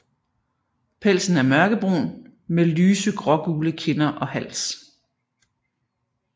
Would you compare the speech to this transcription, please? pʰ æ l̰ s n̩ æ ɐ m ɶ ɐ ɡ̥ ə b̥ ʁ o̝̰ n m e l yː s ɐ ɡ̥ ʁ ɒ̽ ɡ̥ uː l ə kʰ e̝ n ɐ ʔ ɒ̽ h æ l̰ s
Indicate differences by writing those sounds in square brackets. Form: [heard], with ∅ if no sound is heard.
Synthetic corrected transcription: pʰ [e] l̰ s n̩ æ ɐ m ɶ ɐ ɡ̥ ə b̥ ʁ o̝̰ n m e l yː s [ə] ɡ̥ ʁ ɒ̽ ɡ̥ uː l ə kʰ e̝ n ɐ ʔ ɒ̽ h æ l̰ s